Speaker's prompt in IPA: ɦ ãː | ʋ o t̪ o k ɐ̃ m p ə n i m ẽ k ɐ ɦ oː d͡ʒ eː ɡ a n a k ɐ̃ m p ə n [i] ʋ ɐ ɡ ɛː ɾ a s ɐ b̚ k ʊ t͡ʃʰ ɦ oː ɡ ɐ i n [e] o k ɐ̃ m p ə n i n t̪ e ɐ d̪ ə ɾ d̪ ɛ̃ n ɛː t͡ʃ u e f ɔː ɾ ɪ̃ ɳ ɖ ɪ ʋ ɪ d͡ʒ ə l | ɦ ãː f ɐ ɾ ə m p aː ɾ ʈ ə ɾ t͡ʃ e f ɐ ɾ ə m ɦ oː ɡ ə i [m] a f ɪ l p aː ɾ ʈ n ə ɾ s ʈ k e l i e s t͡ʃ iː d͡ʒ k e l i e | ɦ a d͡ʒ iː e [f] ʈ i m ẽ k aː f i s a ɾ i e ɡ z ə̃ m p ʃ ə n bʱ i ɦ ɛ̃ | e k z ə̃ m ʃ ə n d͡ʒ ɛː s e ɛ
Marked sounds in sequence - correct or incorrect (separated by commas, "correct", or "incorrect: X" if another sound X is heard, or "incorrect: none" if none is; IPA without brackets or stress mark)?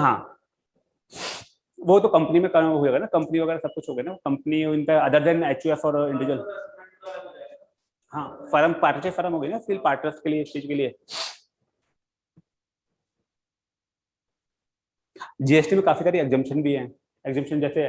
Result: correct, incorrect: a, incorrect: n, incorrect: s